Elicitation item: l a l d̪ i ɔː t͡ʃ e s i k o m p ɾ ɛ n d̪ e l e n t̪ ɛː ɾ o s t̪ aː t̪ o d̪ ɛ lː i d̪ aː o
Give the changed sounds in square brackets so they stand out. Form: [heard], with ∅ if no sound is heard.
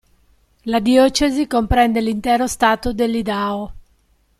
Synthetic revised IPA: l a [∅] d̪ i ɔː t͡ʃ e [z] i k o m p ɾ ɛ n d̪ e l [i] n t̪ ɛː ɾ o s t̪ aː t̪ o d̪ [e] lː i d̪ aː o